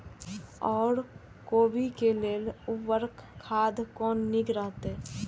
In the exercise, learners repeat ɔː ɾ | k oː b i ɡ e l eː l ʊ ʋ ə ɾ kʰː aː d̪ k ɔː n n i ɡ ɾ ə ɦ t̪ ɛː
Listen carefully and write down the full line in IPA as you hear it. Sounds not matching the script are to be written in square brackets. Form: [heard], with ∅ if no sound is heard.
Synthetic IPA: ɔː ɾ | k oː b i [k] e l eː l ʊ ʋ ə ɾ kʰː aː d̪ k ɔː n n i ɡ ɾ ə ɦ t̪ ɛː